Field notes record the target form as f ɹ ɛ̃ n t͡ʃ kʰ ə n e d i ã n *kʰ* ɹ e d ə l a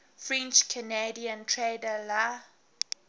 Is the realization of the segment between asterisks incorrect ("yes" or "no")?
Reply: yes